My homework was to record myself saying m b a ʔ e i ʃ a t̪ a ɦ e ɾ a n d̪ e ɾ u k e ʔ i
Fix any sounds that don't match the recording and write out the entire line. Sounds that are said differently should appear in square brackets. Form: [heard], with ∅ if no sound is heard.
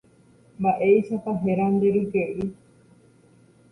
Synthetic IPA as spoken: m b a ʔ e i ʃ a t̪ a ɦ e ɾ a n d̪ e ɾ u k e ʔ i

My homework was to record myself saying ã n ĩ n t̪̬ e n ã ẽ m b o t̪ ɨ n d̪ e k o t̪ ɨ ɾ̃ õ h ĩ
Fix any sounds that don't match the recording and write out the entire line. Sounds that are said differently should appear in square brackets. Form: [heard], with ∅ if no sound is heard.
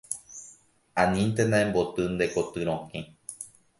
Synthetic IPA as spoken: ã n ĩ n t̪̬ e n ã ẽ m b o t̪ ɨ n d̪ e k o t̪ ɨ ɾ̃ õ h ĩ

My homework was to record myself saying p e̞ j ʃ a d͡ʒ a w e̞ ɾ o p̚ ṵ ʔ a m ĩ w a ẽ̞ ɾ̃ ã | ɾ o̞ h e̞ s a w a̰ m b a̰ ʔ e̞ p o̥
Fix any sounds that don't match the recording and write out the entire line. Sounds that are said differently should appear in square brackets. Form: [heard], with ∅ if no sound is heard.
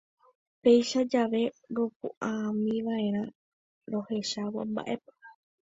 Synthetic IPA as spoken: p e̞ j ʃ a d͡ʒ a [ʋ] e̞ ɾ o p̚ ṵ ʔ a m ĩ [ʋ] a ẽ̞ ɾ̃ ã | ɾ o̞ h e̞ [ʃ] a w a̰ m b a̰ ʔ e̞ p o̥

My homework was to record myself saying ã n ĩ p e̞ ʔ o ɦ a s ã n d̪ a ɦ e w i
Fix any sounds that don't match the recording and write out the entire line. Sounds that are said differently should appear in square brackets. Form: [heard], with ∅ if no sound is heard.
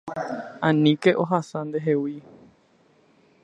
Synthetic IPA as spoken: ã n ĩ [k] e̞ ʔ o ɦ a s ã n d̪ [e] ɦ e w i

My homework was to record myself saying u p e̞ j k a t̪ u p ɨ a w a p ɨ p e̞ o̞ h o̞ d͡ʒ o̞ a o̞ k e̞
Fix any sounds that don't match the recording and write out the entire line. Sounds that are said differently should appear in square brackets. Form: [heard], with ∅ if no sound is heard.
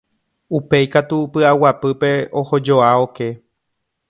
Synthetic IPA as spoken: u p e̞ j k a t̪ u p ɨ a w a p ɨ p e̞ o̞ h o̞ d͡ʒ o̞ a o̞ k e̞

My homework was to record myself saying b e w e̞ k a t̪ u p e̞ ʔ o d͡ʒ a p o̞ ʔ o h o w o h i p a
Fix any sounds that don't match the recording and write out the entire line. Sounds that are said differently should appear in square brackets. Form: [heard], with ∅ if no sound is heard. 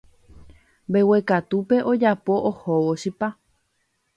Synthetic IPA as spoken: b e w e̞ k a t̪ u p e̞ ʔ o d͡ʒ a p o̞ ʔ o h o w o [ʃ] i p a

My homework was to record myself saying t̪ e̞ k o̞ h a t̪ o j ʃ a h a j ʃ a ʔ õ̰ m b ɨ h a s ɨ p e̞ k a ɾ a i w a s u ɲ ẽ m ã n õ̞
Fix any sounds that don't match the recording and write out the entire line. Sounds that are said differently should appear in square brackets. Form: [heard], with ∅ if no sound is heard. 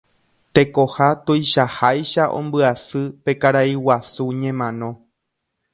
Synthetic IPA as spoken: t̪ e̞ k o̞ h a t̪ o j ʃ a h a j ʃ a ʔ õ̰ m b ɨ [∅] a s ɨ p e̞ k a ɾ a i w a s u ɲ ẽ m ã n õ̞

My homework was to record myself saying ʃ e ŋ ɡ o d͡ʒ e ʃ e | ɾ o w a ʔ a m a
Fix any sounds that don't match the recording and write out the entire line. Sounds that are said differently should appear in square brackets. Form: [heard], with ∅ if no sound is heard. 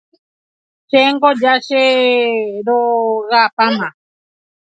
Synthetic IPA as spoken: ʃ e ŋ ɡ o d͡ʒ [a] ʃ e | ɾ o [ɣ] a [p] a m a

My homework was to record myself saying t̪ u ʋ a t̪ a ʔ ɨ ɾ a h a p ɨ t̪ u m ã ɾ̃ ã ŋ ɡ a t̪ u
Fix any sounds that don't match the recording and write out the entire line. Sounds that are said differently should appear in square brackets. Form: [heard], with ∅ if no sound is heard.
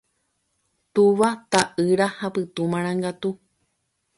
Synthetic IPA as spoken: t̪ u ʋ a t̪ a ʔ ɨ ɾ a h a p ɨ t̪ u m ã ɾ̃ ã ŋ ɡ a t̪ u

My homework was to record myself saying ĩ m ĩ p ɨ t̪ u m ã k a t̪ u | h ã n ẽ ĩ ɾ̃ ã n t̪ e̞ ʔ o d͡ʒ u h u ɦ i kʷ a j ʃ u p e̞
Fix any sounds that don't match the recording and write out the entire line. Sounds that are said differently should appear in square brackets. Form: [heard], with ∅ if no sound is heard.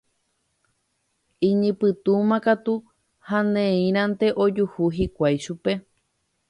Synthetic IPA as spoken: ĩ [ɲ] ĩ p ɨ t̪ u m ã k a t̪ u | h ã n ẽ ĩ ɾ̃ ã n t̪ e̞ ʔ o d͡ʒ u h u ɦ i kʷ a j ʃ u p e̞

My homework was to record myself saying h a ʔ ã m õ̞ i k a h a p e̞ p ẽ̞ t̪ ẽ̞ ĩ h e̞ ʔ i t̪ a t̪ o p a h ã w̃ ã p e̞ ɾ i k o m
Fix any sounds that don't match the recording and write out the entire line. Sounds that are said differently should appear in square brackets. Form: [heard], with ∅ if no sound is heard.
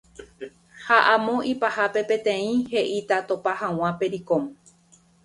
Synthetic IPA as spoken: h a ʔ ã m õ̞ i [p] a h a p e̞ p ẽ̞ t̪ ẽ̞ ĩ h e̞ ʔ i t̪ a t̪ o p a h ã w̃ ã p e̞ ɾ i k o m

